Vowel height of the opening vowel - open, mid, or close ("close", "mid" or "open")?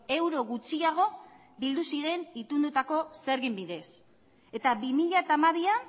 mid